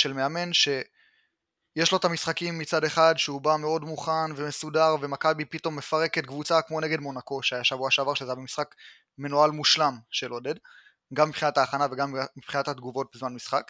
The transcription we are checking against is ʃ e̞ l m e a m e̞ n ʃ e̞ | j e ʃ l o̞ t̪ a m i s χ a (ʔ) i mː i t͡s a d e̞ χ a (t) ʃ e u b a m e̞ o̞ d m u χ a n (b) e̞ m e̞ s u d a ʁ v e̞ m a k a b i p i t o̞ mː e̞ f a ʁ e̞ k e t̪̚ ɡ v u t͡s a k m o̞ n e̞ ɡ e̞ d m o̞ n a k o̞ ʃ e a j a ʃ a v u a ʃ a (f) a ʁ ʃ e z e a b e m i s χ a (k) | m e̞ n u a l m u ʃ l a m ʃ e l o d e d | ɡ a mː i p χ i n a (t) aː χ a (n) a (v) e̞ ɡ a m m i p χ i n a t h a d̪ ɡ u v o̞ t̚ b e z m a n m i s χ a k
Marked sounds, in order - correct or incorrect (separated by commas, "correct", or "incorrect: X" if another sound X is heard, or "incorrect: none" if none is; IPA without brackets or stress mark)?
incorrect: k, incorrect: d, incorrect: v, incorrect: v, correct, correct, correct, correct